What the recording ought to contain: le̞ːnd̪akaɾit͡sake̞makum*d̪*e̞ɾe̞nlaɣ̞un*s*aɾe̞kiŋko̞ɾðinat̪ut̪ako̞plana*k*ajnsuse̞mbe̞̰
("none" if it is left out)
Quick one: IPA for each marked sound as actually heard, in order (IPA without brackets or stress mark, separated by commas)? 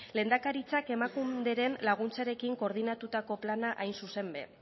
d̪, t͡s, ʔ